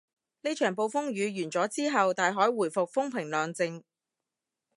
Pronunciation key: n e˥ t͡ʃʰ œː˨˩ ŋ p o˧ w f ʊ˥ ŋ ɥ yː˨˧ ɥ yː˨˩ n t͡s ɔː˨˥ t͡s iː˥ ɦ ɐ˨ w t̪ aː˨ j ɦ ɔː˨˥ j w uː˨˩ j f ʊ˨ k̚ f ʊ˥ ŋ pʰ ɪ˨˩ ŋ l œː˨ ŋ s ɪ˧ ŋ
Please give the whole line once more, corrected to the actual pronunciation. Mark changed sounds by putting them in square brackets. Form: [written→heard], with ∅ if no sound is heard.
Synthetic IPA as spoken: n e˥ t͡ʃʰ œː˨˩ ŋ p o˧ w f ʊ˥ ŋ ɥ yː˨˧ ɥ yː˨˩ n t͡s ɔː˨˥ t͡s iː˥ ɦ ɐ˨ w t̪ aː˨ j ɦ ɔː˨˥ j w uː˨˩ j f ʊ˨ k̚ f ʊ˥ ŋ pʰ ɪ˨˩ ŋ l œː˨ ŋ [s→t͡s] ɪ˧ ŋ